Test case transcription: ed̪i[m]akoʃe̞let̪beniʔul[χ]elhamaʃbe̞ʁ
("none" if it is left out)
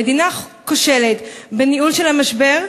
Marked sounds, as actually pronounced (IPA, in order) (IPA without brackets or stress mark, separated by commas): n, ʃ